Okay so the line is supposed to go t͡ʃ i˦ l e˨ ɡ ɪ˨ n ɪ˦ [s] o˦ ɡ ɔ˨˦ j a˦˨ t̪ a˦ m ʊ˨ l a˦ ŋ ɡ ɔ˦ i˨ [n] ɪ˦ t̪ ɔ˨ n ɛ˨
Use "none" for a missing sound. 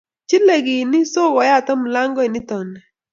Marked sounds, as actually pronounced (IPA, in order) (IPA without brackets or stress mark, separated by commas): s, n